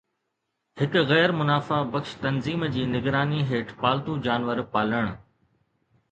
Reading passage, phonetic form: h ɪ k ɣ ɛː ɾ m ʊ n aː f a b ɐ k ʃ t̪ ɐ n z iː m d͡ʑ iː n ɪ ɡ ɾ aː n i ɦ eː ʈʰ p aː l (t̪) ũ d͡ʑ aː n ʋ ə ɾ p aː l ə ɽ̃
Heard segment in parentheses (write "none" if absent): t̪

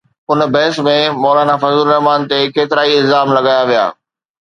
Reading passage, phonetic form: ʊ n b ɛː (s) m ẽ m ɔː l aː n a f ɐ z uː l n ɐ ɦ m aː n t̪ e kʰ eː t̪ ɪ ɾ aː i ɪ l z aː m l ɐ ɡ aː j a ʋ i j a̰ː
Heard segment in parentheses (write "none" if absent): s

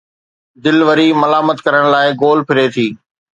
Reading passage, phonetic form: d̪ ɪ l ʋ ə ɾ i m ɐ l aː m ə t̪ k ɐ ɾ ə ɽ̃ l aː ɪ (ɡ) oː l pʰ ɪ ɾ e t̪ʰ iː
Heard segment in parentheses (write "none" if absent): ɡ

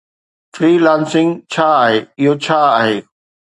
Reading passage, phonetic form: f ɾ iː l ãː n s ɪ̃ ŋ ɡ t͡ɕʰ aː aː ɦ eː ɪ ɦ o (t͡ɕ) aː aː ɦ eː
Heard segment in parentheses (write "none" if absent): t͡ɕʰ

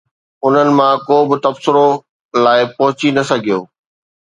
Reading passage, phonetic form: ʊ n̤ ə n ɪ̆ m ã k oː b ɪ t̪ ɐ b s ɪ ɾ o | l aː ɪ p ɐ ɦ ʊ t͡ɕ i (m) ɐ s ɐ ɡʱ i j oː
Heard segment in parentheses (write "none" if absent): n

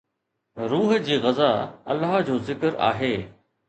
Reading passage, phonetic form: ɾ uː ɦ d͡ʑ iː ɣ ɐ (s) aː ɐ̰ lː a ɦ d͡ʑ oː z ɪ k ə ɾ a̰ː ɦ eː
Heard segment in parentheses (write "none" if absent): z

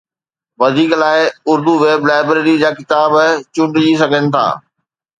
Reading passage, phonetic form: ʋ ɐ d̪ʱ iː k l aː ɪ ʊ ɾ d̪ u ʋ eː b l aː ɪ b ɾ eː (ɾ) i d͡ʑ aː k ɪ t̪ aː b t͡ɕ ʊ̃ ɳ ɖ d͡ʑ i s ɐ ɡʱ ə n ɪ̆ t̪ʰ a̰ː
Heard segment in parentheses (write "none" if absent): ɾ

